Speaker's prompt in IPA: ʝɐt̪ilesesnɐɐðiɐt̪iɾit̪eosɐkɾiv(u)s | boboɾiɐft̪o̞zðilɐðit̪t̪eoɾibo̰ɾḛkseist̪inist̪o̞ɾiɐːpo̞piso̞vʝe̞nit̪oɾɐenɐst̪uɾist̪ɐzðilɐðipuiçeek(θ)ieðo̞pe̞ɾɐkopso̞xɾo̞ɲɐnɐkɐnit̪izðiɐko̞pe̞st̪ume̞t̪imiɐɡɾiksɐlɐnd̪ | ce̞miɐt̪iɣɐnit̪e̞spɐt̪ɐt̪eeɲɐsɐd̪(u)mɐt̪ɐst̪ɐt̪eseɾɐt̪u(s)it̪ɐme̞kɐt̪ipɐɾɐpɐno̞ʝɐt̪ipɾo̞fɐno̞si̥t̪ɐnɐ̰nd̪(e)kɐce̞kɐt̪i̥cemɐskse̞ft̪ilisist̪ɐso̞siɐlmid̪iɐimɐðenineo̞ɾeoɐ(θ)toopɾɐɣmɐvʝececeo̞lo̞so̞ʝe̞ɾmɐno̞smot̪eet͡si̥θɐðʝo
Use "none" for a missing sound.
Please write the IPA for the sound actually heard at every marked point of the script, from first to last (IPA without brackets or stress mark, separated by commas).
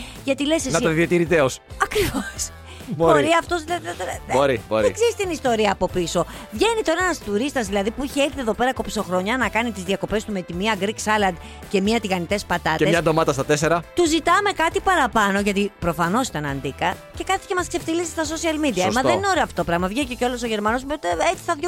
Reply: o, θ, o, z, i, f